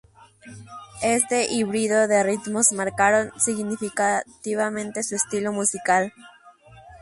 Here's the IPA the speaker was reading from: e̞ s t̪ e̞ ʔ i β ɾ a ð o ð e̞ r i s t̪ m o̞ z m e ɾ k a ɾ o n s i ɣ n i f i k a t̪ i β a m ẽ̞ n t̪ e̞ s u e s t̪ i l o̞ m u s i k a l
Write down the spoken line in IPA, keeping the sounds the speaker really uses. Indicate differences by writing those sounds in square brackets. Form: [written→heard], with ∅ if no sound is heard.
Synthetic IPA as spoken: e̞ s t̪ e̞ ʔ i β ɾ [a→i] ð o ð e̞ r i [s→∅] t̪ m o̞ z m [e→a] ɾ k a ɾ o n s i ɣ n i f i k a t̪ i β a m ẽ̞ n t̪ e̞ s u e s t̪ i l o̞ m u s i k a l